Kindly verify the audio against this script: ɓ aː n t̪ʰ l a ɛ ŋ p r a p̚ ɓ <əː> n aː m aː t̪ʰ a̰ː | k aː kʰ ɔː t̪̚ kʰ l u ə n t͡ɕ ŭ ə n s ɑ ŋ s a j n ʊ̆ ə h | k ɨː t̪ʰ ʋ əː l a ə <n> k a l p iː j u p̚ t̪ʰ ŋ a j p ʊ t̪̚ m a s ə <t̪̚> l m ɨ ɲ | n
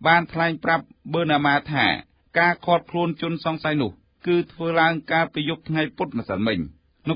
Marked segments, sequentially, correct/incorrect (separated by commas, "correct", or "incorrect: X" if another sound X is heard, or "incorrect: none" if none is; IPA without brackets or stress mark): correct, incorrect: ŋ, incorrect: none